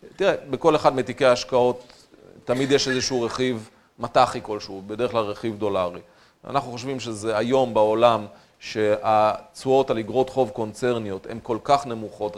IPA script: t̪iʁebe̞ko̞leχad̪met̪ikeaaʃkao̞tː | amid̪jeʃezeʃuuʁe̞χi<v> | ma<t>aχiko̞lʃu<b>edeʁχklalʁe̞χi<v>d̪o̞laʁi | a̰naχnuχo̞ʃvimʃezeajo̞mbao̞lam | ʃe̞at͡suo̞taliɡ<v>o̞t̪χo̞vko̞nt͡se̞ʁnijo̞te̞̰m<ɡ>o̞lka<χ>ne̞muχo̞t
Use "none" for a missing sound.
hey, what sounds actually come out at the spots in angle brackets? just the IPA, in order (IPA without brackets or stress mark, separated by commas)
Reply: v, t, b, v, ʁ, k, χ